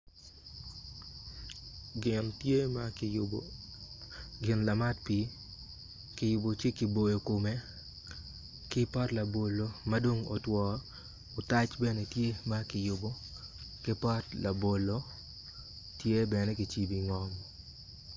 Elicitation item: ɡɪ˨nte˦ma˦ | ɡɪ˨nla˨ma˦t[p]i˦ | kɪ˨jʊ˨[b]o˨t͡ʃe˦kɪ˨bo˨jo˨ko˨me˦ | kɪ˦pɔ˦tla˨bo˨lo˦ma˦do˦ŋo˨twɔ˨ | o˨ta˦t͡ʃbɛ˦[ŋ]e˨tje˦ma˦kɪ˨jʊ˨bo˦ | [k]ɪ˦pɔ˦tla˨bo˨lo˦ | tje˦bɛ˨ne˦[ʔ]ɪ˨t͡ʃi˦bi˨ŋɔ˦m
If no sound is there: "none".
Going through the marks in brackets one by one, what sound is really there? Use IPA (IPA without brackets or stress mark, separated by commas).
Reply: p, b, n, k, k